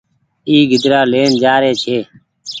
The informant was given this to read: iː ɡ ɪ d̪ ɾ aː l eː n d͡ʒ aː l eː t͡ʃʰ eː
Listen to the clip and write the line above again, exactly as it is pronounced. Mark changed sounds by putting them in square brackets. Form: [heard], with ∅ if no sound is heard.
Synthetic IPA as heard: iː ɡ ɪ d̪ ɾ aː l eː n d͡ʒ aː [ɾ] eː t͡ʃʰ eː

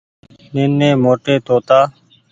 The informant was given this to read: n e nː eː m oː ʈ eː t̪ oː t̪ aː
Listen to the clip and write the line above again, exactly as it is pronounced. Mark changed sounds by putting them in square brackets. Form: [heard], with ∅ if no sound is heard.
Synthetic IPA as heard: n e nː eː m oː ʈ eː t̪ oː t̪ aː

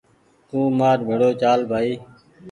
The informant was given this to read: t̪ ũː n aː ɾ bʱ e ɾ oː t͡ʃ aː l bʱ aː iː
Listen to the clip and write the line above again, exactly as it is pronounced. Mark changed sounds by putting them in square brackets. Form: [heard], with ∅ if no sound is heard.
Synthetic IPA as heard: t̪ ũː [m] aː ɾ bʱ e [ɽ] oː t͡ʃ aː l bʱ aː iː

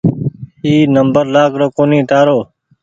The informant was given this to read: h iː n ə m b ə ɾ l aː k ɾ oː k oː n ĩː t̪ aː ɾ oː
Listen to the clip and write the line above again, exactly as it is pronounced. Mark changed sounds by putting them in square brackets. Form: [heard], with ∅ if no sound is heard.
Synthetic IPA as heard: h iː n ə m b ə ɾ l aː k ɾ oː k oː n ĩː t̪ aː ɾ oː

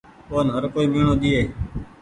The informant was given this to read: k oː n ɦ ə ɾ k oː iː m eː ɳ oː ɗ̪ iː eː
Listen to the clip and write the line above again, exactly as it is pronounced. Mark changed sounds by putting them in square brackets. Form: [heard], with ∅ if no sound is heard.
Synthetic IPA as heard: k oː n ɦ ə ɾ k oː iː m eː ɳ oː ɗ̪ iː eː

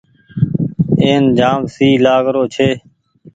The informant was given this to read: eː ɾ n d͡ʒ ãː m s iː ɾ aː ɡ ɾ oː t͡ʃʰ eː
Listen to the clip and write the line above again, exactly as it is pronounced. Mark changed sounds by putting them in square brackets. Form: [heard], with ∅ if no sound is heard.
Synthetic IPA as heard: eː [∅] n d͡ʒ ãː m s iː [l] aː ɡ ɾ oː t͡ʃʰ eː

